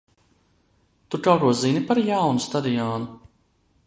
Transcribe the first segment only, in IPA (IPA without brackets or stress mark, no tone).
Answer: t̪